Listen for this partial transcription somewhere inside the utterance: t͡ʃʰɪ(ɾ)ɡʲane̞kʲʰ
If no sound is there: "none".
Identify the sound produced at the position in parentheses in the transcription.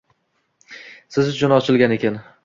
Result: l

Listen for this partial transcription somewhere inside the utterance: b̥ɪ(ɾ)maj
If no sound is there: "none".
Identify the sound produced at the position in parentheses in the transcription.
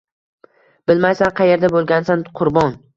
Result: l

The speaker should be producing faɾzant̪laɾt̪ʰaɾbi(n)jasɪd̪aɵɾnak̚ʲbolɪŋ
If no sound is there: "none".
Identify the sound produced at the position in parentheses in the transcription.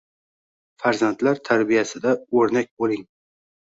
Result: none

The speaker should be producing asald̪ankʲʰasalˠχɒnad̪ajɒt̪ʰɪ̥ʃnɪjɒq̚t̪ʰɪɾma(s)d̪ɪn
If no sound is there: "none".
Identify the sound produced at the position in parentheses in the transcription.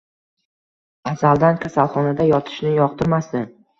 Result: s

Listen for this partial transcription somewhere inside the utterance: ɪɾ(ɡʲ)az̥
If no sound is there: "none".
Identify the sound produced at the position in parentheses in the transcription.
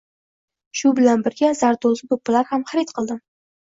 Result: ɡʲ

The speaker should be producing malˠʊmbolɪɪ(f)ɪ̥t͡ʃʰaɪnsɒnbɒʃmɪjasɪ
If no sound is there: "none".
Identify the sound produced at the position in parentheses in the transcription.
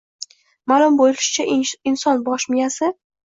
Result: ʃ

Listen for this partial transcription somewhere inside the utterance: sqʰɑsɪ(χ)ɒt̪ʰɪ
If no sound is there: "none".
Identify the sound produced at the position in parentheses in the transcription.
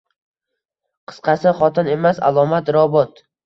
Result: χ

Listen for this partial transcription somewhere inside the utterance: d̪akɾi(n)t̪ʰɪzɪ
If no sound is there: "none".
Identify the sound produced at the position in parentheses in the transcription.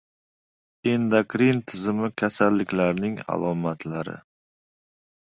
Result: n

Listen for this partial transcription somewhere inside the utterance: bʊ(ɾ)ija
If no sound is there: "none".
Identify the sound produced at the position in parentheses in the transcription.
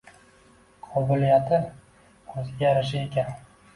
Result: l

